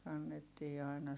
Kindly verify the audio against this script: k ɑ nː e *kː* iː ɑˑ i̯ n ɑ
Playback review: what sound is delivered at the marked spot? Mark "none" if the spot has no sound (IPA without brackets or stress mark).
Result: tː